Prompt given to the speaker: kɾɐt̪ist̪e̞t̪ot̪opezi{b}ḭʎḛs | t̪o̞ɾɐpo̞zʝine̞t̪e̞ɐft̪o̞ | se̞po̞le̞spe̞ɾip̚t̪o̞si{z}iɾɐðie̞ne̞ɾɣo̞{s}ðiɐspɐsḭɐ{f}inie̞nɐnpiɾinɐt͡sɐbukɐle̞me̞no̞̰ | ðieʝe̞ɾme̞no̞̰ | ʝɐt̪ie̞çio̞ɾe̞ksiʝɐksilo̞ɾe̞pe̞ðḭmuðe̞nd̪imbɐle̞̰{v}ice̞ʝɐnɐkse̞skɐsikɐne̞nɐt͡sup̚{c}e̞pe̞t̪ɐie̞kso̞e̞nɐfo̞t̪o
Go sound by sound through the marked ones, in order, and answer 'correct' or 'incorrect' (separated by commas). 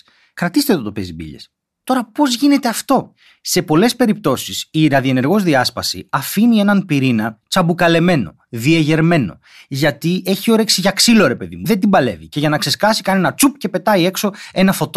correct, incorrect, incorrect, correct, correct, correct